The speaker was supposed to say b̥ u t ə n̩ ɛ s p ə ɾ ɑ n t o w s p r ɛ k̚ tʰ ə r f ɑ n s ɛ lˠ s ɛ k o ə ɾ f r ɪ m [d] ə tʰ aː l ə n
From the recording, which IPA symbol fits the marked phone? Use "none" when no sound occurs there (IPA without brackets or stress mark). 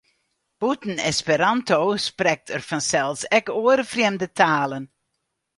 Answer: d